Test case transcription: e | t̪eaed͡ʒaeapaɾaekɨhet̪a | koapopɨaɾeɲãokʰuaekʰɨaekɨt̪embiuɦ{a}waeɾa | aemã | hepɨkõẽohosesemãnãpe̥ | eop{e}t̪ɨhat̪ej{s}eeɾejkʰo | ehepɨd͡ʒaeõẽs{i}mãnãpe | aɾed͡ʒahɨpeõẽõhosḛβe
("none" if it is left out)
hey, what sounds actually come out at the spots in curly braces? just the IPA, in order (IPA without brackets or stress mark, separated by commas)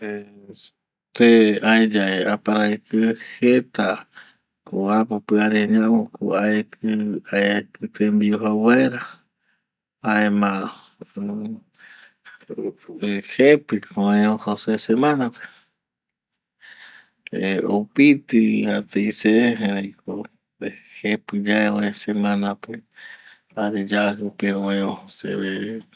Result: a, i, s, e